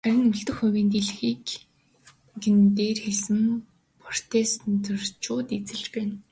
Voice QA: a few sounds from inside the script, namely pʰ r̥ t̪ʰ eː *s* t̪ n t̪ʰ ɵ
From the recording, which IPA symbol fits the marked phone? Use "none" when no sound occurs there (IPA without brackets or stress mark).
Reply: s